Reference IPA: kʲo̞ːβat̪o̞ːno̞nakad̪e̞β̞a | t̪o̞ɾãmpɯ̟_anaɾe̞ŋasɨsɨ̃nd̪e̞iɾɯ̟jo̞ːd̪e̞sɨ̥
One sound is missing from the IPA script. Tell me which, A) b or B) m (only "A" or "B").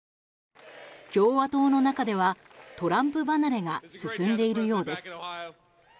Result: A